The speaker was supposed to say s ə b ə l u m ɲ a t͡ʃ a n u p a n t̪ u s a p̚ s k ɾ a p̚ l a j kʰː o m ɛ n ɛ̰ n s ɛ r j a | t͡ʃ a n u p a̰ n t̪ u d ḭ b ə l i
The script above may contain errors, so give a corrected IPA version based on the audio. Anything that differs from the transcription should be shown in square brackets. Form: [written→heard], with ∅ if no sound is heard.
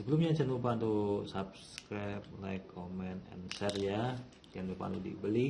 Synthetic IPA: s ə b ə l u m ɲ a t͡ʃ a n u p a n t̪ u s a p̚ s k ɾ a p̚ l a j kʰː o m ɛ n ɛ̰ n s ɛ r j a | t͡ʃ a n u p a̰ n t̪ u d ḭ b ə l i